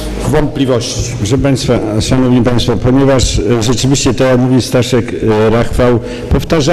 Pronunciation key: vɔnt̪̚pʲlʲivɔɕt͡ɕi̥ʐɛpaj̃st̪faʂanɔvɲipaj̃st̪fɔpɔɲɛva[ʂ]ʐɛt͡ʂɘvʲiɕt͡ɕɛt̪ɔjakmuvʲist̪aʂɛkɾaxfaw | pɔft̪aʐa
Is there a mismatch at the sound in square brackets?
no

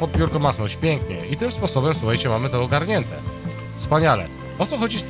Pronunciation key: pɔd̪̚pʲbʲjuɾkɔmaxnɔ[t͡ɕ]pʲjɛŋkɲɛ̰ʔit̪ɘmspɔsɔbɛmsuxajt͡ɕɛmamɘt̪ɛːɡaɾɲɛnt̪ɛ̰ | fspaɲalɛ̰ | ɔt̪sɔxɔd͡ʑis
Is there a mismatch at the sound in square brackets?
no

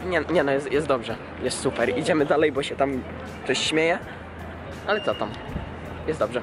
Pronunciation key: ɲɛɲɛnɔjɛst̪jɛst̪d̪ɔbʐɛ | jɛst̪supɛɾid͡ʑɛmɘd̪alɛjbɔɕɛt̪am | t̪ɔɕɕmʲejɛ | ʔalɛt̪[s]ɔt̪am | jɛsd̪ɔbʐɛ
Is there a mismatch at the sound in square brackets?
no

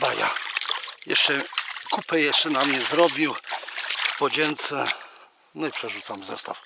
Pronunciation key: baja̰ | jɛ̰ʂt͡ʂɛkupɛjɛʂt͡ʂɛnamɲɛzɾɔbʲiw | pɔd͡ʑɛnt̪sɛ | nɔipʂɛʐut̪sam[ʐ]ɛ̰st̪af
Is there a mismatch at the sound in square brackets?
yes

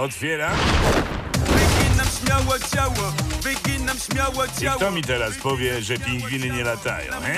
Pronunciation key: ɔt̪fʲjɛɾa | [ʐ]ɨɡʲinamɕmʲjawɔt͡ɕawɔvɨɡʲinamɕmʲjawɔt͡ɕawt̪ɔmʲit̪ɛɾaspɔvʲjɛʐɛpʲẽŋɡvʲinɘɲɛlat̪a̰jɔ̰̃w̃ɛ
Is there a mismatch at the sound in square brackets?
yes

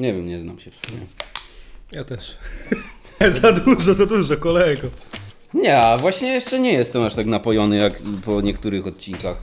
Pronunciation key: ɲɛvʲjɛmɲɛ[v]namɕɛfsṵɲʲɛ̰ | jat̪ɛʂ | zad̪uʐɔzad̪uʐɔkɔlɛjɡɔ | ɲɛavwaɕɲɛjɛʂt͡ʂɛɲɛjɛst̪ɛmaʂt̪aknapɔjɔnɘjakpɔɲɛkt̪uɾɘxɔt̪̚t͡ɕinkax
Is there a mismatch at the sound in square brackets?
yes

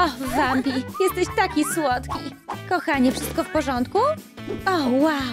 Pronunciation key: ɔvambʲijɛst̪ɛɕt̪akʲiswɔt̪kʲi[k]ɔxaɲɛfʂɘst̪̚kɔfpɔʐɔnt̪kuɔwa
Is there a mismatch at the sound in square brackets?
no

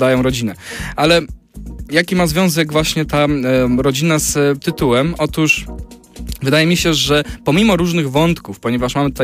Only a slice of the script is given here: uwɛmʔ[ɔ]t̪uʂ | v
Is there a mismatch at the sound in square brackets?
no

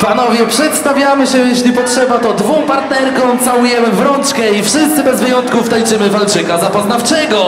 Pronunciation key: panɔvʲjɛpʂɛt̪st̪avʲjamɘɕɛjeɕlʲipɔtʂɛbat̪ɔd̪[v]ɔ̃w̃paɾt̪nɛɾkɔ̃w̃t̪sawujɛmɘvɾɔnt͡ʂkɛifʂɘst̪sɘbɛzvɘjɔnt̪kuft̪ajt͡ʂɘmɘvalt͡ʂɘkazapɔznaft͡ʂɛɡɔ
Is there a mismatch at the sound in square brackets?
no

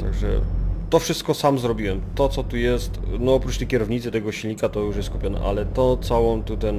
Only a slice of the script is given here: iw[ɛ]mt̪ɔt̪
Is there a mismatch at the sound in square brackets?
no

